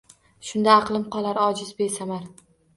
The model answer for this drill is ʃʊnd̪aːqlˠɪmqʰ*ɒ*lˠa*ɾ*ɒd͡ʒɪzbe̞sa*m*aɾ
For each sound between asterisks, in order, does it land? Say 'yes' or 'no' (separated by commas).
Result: yes, yes, yes